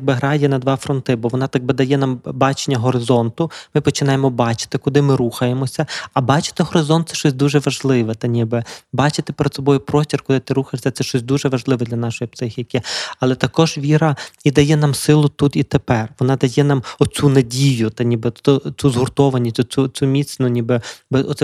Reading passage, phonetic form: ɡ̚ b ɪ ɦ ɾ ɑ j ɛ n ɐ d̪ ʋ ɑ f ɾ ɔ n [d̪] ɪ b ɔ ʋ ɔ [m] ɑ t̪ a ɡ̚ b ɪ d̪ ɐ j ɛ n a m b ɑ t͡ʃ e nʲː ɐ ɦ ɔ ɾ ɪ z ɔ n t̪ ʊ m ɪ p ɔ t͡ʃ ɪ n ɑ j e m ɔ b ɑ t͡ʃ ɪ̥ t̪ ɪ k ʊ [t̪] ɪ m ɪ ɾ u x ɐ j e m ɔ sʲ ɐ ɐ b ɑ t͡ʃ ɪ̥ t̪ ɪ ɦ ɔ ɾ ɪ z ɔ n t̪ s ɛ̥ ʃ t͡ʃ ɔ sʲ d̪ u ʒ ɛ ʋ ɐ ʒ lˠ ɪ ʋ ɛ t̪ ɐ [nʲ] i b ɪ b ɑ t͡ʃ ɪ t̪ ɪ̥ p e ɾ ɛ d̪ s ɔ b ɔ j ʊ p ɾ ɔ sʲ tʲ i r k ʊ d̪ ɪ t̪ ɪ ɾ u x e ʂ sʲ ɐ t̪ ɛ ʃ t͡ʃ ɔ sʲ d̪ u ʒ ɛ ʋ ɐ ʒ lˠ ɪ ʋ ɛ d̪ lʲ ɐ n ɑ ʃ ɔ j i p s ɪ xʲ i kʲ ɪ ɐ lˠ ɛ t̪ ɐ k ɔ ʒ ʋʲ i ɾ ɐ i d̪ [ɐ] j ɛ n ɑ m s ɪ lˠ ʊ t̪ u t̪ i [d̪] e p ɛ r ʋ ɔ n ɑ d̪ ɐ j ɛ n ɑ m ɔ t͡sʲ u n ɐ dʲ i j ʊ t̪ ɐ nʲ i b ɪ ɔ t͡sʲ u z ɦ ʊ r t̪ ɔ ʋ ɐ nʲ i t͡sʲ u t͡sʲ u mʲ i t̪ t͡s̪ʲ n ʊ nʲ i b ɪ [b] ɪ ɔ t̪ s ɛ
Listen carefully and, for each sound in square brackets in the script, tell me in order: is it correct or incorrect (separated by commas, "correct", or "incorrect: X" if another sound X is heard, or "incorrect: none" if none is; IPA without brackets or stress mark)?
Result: incorrect: t̪, incorrect: n, incorrect: d̪, correct, correct, incorrect: t̪, correct